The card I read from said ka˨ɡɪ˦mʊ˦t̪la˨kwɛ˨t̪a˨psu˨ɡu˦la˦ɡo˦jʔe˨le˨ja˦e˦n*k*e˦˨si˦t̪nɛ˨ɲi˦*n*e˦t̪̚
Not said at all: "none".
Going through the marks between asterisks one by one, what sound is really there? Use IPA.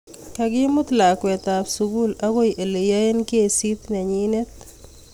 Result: k, n

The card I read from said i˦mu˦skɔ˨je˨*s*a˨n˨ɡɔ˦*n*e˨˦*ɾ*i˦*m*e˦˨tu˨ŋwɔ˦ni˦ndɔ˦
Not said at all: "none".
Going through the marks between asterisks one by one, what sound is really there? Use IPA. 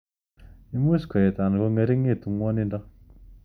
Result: t, ŋ, ɾ, ŋ

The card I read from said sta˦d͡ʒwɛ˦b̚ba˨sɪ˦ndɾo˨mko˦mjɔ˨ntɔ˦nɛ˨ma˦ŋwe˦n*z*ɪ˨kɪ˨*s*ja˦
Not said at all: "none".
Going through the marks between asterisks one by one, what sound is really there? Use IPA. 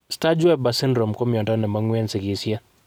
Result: s, s

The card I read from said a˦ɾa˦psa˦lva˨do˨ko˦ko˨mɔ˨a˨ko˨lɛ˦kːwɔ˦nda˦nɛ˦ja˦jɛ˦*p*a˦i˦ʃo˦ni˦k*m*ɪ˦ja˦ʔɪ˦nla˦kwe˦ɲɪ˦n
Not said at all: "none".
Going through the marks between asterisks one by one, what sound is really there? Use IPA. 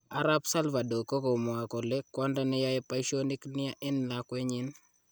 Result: p, n

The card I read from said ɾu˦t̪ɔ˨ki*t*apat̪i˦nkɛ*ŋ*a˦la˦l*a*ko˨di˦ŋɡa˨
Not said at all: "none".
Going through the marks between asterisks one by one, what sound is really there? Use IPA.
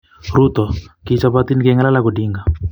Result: t͡ʃ, ŋ, a

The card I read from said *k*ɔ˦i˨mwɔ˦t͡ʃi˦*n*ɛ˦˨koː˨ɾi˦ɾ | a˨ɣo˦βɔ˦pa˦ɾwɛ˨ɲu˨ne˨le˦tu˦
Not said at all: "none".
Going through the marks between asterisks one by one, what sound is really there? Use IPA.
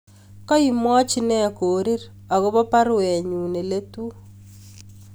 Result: k, n

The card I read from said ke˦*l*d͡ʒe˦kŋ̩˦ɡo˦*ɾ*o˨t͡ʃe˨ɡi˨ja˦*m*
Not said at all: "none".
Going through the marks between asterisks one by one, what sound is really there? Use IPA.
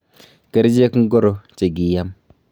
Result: ɾ, ɾ, m

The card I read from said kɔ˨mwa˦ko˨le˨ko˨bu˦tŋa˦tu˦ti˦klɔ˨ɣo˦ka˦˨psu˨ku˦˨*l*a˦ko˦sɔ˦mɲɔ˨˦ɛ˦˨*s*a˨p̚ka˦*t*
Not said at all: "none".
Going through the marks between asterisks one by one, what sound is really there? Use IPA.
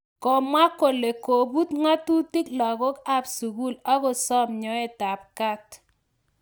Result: l, t, t

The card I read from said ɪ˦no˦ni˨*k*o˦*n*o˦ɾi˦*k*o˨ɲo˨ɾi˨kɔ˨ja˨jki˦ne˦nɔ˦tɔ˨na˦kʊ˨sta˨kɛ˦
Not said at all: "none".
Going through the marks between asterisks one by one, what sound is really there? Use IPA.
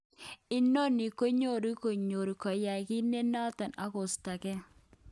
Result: k, ɲ, k

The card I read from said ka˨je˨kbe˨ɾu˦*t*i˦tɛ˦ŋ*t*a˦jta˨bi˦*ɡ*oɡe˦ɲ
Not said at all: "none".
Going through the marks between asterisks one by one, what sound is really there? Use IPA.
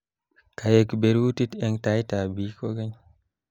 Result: t, t, k

